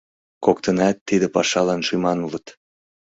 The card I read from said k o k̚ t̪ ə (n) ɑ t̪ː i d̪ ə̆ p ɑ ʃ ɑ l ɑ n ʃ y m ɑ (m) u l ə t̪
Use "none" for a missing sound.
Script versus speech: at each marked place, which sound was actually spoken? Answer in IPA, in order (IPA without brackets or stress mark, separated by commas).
n, n